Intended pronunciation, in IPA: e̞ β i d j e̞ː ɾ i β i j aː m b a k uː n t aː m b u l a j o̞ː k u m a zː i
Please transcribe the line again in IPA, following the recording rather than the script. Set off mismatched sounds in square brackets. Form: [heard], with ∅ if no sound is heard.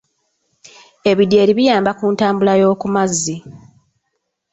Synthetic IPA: e̞ β i d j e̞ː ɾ i β i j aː m b a k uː n t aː m b u l a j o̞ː k u m a zː i